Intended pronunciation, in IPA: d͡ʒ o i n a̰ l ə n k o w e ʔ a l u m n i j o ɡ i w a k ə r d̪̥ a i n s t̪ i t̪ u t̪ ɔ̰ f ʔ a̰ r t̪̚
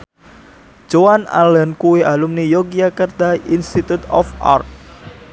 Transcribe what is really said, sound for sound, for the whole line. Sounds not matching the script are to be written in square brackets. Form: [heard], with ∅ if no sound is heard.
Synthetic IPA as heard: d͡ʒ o [a] n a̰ l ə n k [u] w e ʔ a l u m n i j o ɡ i [∅] a k ə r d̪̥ a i n s t̪ i t̪ u t̪ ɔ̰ f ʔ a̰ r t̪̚